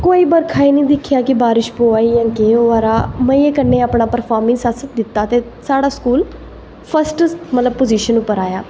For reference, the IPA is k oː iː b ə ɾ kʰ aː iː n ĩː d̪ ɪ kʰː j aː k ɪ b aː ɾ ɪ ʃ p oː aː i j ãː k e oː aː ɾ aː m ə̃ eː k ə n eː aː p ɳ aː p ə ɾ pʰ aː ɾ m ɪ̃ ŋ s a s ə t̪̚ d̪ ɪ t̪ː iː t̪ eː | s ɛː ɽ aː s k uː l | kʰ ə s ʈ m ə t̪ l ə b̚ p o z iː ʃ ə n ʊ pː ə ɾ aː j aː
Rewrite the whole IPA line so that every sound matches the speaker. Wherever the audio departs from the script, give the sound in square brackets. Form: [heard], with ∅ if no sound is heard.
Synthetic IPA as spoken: k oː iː b ə ɾ kʰ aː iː n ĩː d̪ ɪ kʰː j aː k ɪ b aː ɾ ɪ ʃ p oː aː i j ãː k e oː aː ɾ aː m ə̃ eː k ə n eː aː p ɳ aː p ə ɾ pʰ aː ɾ m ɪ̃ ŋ s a s ə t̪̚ d̪ ɪ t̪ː [aː] t̪ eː | s [aː] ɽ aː s k uː l | [pʰ] ə s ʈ m ə t̪ l ə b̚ p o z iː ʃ ə n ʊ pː ə ɾ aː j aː